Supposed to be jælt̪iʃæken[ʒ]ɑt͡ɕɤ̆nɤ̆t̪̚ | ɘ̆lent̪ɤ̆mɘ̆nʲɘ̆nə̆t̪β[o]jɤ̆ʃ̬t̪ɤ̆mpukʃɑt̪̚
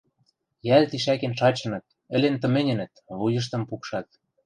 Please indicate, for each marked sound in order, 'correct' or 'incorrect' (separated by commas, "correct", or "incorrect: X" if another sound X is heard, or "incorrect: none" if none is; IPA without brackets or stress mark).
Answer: incorrect: ʃ, incorrect: u